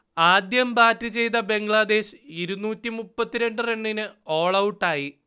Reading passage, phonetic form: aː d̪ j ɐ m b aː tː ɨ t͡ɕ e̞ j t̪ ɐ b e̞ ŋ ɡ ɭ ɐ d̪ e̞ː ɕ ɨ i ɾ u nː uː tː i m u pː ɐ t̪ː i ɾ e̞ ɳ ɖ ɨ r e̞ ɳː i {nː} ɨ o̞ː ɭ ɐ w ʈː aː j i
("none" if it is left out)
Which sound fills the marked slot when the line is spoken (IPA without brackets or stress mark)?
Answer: n